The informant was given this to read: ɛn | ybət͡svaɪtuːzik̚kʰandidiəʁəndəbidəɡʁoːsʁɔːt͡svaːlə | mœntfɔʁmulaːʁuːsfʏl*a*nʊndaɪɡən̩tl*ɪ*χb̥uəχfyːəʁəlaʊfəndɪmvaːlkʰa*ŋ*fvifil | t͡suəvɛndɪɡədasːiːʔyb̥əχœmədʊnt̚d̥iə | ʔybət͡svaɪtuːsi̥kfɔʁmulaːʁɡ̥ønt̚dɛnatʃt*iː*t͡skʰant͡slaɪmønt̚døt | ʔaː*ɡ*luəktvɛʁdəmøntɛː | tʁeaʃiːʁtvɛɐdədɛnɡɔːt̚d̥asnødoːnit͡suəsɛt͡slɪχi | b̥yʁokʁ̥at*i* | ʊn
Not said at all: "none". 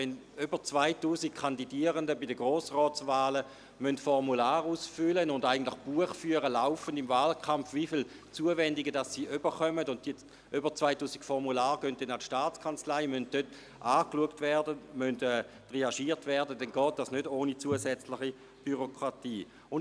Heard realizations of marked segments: ə, ɪ, m, aː, k, iː

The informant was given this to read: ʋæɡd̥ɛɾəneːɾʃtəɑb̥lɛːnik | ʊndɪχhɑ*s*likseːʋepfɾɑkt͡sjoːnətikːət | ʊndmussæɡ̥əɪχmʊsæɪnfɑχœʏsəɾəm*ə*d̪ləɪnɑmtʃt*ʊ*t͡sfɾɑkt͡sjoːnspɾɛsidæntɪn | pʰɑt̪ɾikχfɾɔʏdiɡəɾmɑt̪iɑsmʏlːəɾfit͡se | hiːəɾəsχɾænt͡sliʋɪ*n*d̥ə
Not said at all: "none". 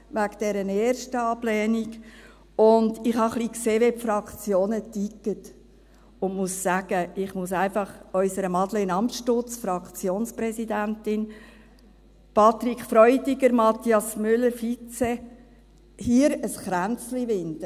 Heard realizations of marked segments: χ, ɑ, ʊ, n

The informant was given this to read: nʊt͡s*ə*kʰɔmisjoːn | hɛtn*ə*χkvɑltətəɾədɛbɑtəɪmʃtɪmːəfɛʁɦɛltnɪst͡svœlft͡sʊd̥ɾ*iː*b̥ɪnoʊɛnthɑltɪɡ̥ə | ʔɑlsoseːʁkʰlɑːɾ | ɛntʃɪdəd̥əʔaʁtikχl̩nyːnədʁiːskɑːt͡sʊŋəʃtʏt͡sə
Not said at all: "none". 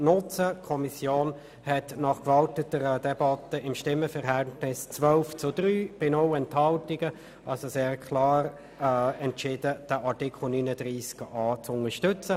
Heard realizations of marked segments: ə, ɑ, yː

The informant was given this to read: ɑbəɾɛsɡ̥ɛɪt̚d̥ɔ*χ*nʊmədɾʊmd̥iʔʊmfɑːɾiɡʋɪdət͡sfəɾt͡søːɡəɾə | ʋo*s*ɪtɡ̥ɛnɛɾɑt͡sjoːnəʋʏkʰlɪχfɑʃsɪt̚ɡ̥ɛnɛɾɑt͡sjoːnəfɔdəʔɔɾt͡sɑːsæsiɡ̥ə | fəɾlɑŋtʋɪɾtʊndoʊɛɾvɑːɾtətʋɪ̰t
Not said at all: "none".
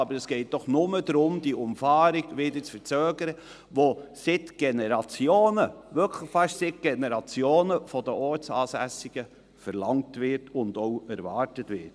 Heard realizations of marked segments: χ, s

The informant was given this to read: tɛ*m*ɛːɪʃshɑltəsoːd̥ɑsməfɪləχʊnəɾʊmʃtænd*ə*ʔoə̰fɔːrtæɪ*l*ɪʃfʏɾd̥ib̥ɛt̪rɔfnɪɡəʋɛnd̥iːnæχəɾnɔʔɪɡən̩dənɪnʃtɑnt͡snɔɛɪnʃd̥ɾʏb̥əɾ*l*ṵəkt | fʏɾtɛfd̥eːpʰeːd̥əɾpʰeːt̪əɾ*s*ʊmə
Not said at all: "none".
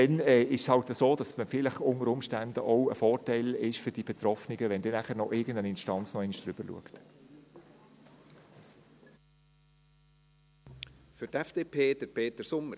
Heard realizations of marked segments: n, ə, l, l, s

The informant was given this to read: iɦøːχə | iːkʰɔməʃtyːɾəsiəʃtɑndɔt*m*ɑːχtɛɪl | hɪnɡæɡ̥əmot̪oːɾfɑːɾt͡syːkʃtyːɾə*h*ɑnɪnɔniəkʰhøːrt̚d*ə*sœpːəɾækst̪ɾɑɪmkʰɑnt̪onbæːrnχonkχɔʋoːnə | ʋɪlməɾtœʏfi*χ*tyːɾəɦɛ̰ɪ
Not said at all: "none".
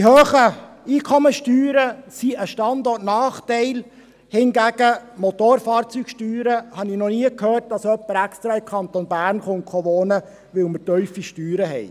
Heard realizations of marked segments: n, h, ɑ, ʃ

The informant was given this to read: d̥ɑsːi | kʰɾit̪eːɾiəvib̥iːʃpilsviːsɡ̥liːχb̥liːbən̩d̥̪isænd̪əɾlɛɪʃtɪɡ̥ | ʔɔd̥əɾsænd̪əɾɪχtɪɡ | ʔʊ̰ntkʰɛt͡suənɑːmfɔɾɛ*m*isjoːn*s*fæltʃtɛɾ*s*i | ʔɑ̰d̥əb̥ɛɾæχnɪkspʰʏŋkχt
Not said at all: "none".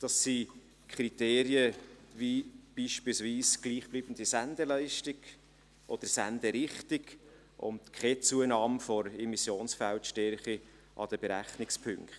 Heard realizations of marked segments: m, s, χ

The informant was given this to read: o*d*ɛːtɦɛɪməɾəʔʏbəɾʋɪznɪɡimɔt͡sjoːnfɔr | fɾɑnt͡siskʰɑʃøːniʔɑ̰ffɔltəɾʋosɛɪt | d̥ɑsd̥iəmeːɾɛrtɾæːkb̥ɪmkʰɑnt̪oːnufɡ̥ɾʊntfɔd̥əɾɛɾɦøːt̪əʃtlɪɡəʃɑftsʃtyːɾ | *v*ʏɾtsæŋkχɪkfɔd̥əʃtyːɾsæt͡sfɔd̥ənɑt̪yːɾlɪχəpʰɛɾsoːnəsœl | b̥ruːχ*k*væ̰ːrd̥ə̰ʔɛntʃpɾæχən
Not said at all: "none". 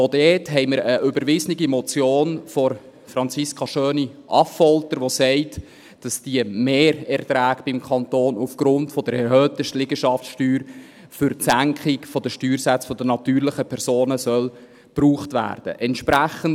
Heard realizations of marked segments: d, f, t

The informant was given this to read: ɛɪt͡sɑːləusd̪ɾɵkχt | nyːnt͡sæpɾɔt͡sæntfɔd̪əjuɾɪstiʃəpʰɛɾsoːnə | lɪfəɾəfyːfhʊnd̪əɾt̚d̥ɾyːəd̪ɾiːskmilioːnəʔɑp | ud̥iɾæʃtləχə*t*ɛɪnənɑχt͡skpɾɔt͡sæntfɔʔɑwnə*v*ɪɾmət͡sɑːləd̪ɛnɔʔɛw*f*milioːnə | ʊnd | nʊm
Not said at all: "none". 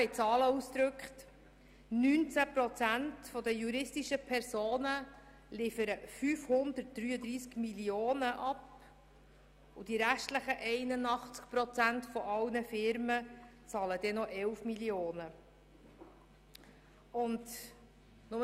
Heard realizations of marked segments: ʔ, f, f

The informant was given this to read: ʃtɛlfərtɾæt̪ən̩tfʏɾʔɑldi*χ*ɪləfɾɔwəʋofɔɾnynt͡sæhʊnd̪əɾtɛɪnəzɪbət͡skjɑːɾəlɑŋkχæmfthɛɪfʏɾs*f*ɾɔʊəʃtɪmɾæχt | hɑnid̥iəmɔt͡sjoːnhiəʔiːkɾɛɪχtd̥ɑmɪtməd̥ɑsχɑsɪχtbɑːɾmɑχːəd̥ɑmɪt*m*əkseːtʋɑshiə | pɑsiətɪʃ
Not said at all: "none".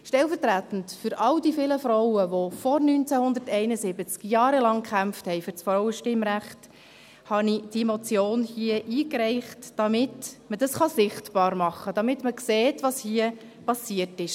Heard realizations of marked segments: f, f, m

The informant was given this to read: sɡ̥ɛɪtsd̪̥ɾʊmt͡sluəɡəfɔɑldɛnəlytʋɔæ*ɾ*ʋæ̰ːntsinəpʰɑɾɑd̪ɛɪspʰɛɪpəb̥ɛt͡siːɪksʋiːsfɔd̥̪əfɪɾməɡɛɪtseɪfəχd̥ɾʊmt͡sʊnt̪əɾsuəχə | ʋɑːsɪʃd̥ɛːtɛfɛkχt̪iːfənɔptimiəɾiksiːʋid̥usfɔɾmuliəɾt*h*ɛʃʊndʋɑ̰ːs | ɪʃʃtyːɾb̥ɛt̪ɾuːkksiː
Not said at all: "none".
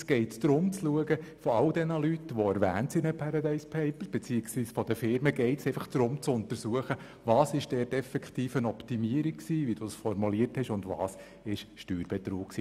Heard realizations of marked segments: ɾ, h

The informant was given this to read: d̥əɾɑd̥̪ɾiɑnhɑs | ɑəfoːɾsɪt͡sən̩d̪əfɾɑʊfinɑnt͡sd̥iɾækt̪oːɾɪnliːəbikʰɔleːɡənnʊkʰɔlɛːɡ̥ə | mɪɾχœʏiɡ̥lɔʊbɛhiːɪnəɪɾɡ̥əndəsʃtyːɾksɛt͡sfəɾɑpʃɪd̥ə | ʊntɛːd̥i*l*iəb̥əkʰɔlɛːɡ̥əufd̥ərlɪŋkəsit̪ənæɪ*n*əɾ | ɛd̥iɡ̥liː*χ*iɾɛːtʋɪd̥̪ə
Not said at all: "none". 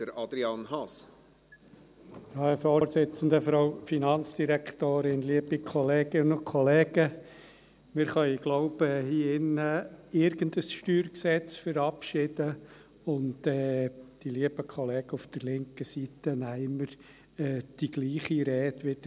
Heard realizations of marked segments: l, m, χ

